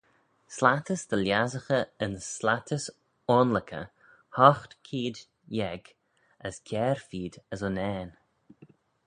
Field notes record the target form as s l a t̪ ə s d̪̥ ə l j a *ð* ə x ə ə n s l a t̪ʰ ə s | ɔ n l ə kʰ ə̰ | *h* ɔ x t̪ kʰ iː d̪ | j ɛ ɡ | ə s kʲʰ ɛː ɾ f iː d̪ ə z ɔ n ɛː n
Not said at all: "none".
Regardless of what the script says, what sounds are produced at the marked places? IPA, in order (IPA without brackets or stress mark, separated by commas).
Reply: z, h